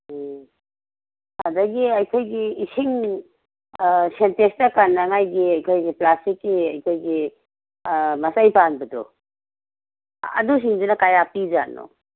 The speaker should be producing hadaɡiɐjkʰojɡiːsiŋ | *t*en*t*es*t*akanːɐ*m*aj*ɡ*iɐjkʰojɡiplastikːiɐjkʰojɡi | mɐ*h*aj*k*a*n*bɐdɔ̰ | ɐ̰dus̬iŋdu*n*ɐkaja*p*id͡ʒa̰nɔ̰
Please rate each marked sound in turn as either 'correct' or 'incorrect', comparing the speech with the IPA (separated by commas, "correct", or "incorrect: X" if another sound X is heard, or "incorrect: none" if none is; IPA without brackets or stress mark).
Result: incorrect: s, correct, correct, incorrect: ŋ, correct, incorrect: s, incorrect: p, correct, correct, correct